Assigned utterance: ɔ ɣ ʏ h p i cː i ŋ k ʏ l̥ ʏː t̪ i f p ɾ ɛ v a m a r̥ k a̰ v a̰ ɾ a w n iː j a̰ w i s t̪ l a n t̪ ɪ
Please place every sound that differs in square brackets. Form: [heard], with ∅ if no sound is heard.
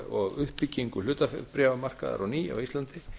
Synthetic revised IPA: ɔ ɣ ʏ h p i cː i ŋ k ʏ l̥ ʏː t̪ [a] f p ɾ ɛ v a m a r̥ k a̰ [ð] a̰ ɾ a w n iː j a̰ w i s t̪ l a n t̪ ɪ